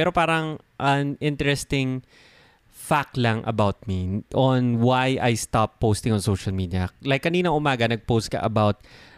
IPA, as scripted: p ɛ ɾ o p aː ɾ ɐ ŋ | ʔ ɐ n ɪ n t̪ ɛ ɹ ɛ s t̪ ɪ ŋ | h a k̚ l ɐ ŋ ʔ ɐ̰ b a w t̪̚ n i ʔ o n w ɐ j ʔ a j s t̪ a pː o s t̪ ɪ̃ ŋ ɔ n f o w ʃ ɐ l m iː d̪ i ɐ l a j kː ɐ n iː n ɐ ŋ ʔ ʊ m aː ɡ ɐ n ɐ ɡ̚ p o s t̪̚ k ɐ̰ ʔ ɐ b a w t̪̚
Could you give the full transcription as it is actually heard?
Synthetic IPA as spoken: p ɛ ɾ o p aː ɾ ɐ ŋ | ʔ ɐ n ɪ n t̪ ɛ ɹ ɛ s t̪ ɪ ŋ | f a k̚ l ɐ ŋ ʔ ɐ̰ b a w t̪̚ m i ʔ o n w a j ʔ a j s t̪ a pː o s t̪ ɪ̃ ŋ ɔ n s o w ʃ ɐ l m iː d̪ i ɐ l a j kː ɐ n iː n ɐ ŋ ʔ ʊ m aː ɡ ɐ n ɐ ɡ̚ p o s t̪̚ k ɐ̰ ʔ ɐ b a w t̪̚